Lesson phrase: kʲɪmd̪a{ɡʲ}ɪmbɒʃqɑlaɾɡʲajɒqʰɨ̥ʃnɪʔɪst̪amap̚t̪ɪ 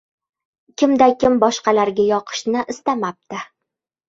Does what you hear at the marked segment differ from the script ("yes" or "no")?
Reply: yes